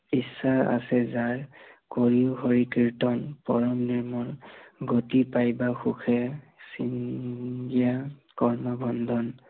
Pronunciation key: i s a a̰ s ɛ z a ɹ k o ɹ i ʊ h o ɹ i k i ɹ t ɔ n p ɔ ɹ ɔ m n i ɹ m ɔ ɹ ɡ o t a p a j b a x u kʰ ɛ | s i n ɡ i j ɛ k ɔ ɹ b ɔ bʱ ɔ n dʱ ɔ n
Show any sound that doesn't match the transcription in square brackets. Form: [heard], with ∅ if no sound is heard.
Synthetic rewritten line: i s a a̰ s ɛ z a ɹ k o ɹ i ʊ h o ɹ i k i ɹ t ɔ n p ɔ ɹ ɔ m n i ɹ m ɔ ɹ ɡ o t [i] p a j b a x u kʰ ɛ | s i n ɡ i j [a] k ɔ ɹ [m] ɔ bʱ ɔ n dʱ ɔ n